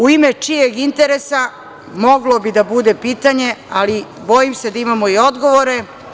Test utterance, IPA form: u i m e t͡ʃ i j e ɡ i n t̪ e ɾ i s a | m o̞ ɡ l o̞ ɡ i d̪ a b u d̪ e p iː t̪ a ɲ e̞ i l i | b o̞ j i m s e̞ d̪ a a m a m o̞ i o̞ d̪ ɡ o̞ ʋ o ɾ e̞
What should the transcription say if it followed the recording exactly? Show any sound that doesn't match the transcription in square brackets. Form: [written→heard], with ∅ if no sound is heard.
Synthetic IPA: u i m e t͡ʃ i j e ɡ i n t̪ e ɾ [i→e] s a | m o̞ ɡ l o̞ [ɡ→b] i d̪ a b u d̪ e p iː t̪ a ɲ e̞ [i→a] l i | b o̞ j i m s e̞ d̪ a [a→i] m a m o̞ i o̞ d̪ ɡ o̞ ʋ o ɾ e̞